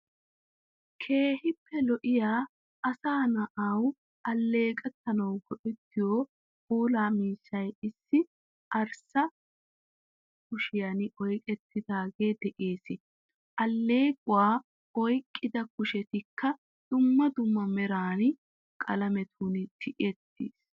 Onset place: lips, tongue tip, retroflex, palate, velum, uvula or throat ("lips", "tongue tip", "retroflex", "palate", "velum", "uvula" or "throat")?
velum